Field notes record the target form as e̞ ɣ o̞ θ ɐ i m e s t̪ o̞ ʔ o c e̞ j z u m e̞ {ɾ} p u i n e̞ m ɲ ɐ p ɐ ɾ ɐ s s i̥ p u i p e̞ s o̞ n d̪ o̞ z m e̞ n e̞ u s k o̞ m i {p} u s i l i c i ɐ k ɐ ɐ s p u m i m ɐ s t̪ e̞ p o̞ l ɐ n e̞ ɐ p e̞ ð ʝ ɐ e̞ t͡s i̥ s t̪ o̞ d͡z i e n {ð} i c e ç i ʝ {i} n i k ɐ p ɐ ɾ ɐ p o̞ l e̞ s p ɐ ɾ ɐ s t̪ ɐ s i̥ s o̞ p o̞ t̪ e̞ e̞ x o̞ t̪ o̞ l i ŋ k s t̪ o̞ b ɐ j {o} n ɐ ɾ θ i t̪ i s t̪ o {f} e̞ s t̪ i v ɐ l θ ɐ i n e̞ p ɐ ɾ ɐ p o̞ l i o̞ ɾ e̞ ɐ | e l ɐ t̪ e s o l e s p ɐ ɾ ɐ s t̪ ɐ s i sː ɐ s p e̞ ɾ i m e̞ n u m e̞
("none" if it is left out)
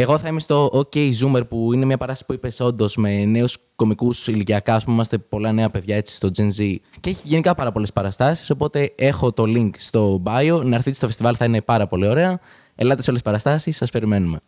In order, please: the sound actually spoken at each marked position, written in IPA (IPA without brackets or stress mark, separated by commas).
ɾ, k, z, e, o, f